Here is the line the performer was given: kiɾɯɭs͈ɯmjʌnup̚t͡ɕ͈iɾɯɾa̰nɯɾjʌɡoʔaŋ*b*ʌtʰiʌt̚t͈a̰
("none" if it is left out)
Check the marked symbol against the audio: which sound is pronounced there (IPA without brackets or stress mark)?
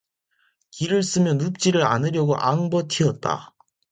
b